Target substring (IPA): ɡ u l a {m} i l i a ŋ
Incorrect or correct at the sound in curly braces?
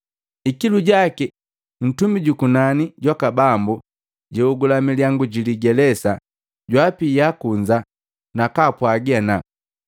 correct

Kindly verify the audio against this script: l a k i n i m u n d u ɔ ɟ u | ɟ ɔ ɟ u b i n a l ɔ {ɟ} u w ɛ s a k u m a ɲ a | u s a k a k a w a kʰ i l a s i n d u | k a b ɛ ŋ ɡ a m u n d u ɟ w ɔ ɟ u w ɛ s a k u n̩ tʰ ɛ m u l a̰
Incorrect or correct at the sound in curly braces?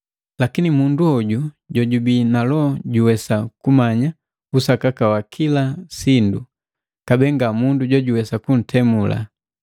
correct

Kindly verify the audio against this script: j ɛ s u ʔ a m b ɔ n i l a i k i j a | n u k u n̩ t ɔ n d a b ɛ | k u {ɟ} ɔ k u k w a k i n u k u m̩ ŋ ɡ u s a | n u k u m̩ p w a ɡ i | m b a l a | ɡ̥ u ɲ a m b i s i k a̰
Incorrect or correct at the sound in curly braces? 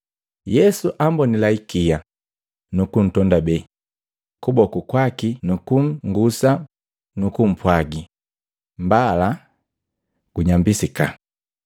incorrect: b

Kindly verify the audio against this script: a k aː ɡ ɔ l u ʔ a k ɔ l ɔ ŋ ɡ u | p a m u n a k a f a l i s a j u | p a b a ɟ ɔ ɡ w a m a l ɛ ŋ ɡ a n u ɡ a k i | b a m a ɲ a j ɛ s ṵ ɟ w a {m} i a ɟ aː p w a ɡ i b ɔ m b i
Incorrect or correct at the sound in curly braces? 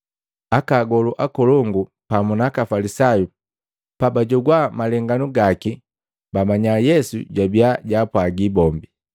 incorrect: b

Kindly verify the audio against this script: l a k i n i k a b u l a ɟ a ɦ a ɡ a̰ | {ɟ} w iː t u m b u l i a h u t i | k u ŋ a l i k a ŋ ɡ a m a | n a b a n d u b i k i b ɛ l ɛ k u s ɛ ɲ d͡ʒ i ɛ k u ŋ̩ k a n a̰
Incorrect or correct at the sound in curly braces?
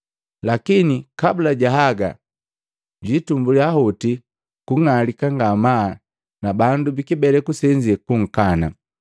correct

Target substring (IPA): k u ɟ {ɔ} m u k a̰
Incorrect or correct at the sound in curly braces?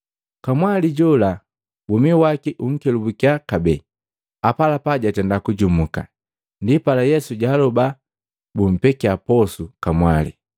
incorrect: u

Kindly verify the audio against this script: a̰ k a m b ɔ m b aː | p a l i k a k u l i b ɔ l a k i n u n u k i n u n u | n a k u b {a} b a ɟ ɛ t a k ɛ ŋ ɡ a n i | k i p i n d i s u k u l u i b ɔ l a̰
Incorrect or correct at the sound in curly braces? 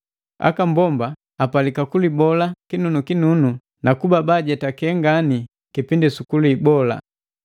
correct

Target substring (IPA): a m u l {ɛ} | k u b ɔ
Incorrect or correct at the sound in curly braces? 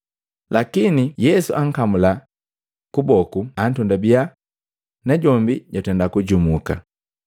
incorrect: a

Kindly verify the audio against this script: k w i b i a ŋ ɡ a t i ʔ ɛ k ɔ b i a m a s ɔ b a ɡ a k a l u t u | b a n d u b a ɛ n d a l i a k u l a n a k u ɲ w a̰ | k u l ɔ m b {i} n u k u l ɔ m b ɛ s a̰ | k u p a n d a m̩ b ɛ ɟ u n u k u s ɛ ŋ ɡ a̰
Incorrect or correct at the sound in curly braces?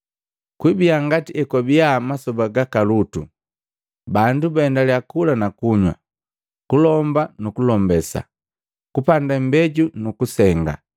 incorrect: a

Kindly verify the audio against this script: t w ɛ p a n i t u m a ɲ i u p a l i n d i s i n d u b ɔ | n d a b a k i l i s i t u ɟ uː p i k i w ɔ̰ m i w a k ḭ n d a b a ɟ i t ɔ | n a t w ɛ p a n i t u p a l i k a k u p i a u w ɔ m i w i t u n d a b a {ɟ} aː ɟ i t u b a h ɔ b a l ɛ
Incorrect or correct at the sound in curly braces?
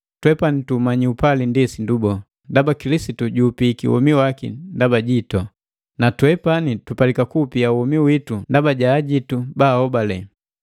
correct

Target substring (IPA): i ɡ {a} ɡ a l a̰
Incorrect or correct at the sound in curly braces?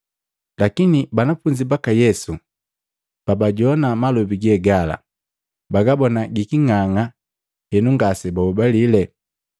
incorrect: ɛ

